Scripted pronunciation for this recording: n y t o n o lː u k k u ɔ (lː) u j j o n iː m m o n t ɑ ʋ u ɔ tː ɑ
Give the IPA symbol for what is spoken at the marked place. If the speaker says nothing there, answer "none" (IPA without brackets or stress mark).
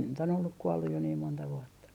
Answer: lː